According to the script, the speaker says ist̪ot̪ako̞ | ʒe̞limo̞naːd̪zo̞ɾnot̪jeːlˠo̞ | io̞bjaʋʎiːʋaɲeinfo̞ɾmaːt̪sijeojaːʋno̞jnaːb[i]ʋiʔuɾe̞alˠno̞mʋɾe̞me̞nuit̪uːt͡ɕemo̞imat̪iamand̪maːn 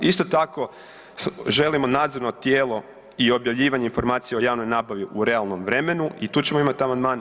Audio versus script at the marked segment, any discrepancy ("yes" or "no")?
yes